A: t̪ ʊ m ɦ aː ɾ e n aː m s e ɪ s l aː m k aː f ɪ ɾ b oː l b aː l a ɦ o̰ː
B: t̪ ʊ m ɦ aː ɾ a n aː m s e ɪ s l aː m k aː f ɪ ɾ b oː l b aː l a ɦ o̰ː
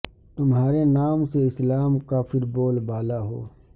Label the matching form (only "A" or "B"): A